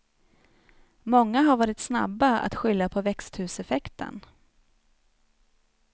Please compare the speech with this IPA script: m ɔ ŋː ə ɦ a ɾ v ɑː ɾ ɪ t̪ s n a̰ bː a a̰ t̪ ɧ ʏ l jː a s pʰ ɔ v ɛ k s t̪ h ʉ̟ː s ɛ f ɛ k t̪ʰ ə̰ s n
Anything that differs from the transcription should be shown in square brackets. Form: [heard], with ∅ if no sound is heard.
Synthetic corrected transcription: m ɔ ŋː [a] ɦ a ɾ v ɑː ɾ ɪ t̪ s n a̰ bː a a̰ t̪ ɧ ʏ l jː a [∅] pʰ ɔ v ɛ k s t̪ h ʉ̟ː s ɛ f ɛ k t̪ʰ ə̰ [∅] n